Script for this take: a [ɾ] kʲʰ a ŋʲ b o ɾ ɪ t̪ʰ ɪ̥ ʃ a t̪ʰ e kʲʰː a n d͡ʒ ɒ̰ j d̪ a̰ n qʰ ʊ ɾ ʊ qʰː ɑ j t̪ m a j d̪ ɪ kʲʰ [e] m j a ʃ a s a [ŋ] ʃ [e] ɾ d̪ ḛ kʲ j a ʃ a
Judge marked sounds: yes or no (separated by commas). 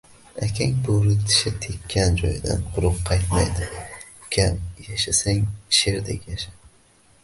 no, no, yes, yes